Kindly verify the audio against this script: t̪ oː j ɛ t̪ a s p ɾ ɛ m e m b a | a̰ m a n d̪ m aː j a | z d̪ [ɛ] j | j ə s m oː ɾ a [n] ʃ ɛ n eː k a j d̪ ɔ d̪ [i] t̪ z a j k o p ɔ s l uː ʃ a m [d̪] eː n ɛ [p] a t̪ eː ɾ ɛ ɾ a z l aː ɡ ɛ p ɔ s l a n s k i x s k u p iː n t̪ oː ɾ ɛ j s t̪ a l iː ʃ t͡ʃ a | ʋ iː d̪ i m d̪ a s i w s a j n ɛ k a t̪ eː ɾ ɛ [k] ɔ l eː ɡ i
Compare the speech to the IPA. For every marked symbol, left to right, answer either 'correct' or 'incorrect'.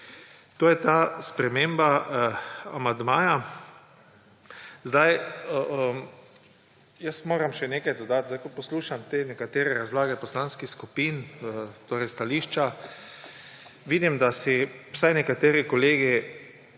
incorrect, incorrect, incorrect, incorrect, incorrect, correct

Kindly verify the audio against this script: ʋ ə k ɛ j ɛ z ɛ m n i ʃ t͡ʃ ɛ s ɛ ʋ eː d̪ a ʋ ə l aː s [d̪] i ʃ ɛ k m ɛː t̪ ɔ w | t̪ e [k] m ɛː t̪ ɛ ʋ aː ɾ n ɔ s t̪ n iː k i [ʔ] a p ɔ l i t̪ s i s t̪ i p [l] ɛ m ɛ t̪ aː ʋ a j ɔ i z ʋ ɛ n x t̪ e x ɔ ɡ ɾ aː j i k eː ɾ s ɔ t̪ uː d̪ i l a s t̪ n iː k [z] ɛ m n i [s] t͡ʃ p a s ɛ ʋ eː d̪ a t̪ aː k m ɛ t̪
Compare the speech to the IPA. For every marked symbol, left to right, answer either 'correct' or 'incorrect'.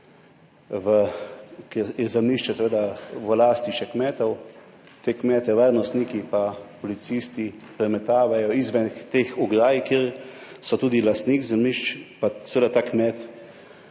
incorrect, correct, incorrect, incorrect, correct, incorrect

